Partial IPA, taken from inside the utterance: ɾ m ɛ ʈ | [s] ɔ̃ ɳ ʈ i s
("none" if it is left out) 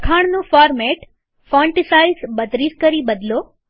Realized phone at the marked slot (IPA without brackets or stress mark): f